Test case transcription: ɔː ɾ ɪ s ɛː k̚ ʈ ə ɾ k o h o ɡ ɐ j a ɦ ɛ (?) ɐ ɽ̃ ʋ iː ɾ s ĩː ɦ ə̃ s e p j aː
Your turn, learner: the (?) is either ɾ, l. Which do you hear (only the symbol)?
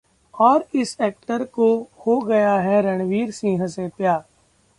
ɾ